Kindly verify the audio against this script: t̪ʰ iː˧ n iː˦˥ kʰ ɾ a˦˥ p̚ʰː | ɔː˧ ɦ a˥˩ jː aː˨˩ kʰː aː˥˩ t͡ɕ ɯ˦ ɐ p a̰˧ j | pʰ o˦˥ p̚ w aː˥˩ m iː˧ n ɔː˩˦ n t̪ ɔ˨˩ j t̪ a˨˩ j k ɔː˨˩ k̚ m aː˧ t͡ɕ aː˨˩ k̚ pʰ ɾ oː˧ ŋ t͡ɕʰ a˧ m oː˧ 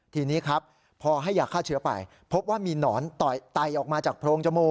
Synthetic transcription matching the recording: t̪ʰ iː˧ n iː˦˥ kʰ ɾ a˦˥ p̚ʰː | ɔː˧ ɦ a˥˩ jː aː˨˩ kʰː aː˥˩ t͡ɕʰ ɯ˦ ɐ p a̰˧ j | pʰ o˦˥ p̚ w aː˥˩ m iː˧ n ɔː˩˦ n t̪ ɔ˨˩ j t̪ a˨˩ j ʔ ɔː˨˩ k̚ m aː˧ t͡ɕ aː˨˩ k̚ pʰ ɾ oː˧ ŋ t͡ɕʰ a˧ m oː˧